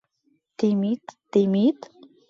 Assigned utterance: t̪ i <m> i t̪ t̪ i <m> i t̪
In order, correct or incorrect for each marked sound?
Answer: correct, correct

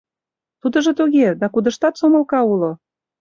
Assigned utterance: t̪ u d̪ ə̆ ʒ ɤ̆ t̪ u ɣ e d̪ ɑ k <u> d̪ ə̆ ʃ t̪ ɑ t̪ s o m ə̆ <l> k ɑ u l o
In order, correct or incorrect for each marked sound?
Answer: correct, correct

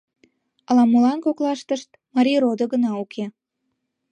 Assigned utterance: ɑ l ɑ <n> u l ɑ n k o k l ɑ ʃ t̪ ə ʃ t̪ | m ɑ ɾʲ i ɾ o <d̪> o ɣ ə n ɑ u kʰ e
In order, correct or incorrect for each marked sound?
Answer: incorrect, correct

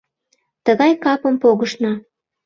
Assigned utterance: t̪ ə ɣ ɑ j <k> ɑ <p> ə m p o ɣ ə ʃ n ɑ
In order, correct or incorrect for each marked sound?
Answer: correct, correct

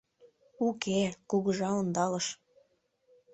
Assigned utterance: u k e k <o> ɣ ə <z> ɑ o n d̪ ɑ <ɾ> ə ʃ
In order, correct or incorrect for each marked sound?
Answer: incorrect, incorrect, incorrect

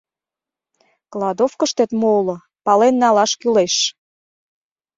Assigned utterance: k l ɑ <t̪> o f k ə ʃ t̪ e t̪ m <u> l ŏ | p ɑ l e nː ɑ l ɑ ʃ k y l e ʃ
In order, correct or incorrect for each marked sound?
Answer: incorrect, incorrect

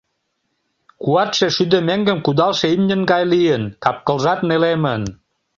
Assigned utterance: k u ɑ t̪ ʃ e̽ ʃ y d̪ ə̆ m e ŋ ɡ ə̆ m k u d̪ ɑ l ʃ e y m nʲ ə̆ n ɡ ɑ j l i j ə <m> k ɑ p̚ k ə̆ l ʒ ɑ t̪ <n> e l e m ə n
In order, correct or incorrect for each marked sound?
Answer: incorrect, correct

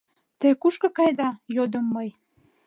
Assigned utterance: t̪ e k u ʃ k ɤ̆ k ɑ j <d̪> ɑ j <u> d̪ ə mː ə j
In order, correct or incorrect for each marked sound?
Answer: correct, incorrect

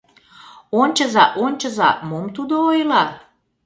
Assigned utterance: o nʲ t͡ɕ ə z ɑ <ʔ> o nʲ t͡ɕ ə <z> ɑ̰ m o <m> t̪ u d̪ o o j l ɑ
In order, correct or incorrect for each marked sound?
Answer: correct, correct, correct

